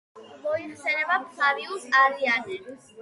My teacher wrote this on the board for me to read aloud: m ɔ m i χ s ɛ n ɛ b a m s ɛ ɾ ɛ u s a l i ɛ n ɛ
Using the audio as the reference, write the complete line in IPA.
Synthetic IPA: m ɔ i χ s ɛ n ɛ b a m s a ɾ i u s a ɾ i a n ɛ